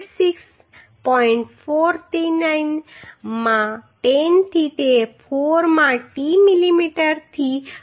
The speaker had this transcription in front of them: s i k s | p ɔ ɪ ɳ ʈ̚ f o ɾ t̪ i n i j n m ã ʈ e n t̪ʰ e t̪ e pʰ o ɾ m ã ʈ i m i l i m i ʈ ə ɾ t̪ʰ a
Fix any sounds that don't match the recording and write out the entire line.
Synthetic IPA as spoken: s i k s | p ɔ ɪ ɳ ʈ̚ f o ɾ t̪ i n a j n m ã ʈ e n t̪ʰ i t̪ e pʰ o ɾ m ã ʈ i m i l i m i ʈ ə ɾ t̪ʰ i